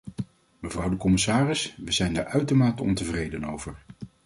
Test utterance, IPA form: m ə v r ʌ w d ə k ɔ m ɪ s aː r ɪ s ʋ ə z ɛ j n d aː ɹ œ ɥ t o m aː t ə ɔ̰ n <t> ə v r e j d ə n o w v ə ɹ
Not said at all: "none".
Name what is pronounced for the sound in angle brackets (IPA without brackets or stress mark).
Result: t